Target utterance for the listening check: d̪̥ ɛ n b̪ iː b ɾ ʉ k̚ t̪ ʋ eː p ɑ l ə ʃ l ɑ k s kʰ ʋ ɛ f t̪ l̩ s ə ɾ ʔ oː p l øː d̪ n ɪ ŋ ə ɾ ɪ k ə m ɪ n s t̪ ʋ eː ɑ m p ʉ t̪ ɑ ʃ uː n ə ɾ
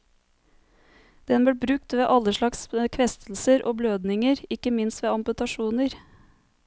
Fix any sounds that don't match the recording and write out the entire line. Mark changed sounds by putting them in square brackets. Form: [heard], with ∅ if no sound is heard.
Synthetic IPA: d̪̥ ɛ n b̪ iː b ɾ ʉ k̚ t̪ ʋ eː [ʔ] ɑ l ə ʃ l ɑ k s kʰ ʋ ɛ [s] t̪ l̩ s ə ɾ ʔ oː [b] l øː d̪ n ɪ ŋ ə ɾ ɪ k ə m ɪ n s t̪ ʋ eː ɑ m p ʉ t̪ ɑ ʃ uː n ə ɾ